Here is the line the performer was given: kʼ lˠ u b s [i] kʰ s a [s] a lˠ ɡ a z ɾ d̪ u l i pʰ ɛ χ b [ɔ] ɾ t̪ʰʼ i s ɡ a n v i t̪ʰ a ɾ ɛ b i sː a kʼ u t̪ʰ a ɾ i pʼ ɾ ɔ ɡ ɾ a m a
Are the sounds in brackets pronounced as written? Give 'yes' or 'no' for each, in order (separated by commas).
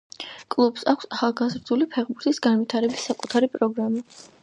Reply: no, no, no